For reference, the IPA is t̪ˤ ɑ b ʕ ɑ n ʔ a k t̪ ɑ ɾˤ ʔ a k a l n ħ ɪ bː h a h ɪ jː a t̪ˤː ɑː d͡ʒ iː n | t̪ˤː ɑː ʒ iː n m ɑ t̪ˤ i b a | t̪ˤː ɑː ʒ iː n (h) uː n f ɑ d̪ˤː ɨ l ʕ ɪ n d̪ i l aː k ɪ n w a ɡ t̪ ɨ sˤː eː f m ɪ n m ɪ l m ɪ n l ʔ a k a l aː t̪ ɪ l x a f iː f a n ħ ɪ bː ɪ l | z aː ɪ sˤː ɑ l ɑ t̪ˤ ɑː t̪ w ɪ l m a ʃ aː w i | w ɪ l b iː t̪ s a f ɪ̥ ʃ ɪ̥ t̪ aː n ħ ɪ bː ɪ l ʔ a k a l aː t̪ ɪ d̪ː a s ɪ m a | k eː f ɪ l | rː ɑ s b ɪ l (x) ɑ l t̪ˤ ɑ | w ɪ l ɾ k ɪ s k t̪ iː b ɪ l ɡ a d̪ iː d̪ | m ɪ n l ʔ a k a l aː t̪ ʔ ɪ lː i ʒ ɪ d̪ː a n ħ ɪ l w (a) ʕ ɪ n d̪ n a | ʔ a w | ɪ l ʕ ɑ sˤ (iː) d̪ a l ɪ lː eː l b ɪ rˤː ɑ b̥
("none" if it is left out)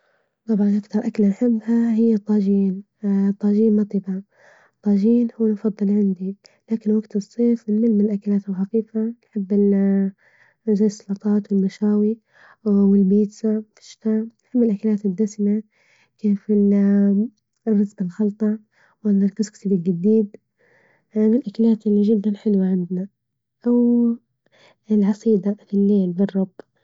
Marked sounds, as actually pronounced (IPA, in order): h, x, a, iː

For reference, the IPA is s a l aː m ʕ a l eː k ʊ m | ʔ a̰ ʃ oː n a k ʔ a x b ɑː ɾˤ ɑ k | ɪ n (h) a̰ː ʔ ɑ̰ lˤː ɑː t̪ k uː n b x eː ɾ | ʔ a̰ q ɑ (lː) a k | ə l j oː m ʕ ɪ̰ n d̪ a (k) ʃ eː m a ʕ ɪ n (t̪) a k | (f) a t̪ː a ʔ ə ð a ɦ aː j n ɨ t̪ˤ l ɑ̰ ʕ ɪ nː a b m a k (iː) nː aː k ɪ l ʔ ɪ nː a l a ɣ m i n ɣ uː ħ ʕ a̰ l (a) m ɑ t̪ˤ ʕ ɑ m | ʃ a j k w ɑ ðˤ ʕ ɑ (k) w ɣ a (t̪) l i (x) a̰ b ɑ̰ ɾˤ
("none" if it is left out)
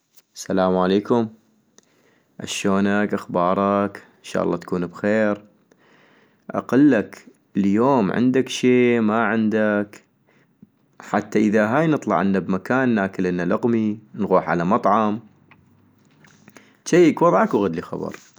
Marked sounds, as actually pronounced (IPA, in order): ʃ, lː, k, d̪, ħ, aː, a, k, d̪, x

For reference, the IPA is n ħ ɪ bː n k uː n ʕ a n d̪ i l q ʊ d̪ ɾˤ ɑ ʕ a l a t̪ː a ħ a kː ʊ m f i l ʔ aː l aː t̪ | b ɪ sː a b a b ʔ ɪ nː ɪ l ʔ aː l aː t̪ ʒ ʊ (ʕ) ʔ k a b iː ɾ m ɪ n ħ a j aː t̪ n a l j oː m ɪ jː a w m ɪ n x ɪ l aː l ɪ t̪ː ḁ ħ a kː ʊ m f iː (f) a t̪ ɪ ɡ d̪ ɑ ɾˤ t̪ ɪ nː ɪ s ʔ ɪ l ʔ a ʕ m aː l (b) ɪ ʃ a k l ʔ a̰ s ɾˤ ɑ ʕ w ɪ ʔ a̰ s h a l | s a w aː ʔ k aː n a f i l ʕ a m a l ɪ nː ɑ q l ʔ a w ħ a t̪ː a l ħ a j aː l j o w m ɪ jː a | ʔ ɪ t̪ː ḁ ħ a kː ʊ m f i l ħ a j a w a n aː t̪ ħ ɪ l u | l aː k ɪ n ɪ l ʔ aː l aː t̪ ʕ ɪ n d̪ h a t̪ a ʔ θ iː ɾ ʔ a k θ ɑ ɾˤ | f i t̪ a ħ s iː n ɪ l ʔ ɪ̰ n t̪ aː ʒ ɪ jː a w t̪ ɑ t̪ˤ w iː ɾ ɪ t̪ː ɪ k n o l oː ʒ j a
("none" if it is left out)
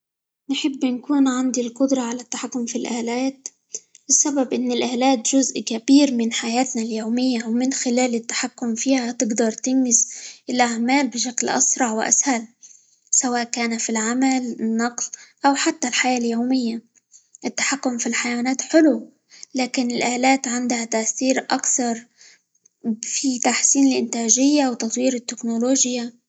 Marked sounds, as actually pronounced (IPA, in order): z, h, b

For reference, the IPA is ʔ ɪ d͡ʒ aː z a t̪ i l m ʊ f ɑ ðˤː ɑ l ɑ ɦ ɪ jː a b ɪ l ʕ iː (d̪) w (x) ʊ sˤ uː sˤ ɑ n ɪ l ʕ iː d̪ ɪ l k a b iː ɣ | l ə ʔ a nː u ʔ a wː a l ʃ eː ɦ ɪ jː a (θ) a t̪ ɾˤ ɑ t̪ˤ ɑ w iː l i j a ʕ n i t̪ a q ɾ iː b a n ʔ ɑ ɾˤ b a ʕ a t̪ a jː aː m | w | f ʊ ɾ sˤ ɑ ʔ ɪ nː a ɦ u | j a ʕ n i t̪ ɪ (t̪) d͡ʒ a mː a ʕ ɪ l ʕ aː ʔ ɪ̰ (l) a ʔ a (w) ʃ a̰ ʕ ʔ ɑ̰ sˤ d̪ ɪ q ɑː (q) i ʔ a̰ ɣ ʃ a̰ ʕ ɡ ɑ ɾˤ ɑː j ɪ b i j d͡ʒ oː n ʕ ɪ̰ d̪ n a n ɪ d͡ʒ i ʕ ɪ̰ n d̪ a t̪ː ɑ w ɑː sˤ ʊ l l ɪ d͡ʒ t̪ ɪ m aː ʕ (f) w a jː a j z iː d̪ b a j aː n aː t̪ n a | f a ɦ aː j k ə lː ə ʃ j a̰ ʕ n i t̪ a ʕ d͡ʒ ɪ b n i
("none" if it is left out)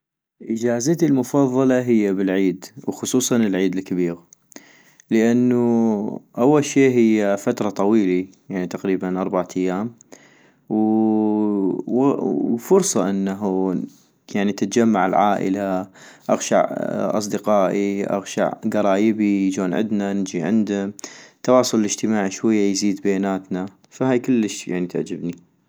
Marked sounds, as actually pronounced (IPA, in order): d̪, x, f, t̪, l, ɣ, ʔ, ʃ

